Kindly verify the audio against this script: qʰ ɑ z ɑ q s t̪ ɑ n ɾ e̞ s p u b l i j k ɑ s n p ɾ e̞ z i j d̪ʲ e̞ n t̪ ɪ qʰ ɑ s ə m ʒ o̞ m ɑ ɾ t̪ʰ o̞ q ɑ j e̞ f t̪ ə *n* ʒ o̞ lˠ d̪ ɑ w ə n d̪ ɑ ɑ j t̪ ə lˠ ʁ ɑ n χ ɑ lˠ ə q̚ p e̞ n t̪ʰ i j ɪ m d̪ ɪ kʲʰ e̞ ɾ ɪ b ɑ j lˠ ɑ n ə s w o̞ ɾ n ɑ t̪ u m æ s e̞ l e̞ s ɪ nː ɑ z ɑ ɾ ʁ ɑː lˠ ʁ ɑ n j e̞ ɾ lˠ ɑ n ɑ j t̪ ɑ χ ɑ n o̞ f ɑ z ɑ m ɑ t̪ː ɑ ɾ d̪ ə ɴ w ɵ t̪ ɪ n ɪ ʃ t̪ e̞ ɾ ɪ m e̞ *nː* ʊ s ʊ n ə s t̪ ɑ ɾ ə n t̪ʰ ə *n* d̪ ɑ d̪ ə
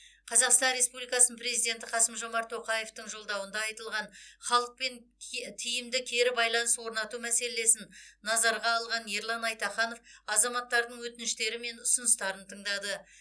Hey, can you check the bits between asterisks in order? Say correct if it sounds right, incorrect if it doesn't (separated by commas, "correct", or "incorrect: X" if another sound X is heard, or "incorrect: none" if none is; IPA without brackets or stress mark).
incorrect: ɴ, incorrect: n, incorrect: ɴ